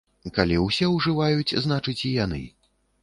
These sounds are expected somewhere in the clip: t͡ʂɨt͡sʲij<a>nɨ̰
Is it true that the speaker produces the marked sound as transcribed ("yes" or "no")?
yes